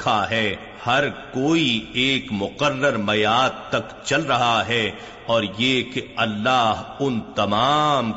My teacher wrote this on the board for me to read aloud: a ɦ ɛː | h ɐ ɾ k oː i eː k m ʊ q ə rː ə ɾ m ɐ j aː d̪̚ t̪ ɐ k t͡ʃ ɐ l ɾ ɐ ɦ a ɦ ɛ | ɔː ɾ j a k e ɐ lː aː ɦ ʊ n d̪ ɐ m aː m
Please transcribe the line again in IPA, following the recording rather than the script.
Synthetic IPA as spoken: a ɦ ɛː | h ɐ ɾ k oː i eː k m ʊ q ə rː ə ɾ m ɐ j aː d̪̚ t̪ ɐ k t͡ʃ ɐ l ɾ ɐ ɦ a ɦ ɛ | ɔː ɾ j e k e ɐ lː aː ɦ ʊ n t̪ ɐ m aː m